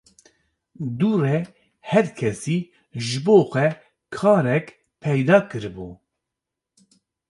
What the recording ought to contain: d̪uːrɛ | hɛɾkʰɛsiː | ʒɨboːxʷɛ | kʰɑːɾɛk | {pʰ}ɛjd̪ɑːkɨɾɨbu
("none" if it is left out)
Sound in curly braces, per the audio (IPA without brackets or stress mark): pʰ